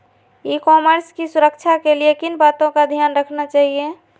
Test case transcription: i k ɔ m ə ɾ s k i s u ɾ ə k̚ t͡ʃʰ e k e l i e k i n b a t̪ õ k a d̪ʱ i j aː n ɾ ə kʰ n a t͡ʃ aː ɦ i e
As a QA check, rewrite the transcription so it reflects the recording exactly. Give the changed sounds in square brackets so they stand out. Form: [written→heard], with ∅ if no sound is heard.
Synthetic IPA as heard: i k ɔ m ə ɾ s k i s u ɾ ə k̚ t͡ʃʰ [e→a] k e l i e k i n b a t̪ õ k a d̪ʱ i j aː n ɾ ə kʰ n a t͡ʃ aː ɦ i e